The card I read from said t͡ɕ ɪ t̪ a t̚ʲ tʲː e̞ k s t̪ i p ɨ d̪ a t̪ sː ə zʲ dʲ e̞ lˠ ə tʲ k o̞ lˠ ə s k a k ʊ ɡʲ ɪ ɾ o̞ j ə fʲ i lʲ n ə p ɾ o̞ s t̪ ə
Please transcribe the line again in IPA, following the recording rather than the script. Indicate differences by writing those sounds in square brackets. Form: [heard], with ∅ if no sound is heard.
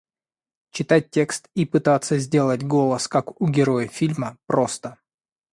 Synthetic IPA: t͡ɕ ɪ t̪ a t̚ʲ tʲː e̞ k s t̪ i p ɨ [t̪] a t̪ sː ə zʲ dʲ e̞ lˠ ə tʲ [ɡ] o̞ lˠ ə s k a k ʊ ɡʲ ɪ ɾ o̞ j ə fʲ i lʲ [m] ə p ɾ o̞ s t̪ ə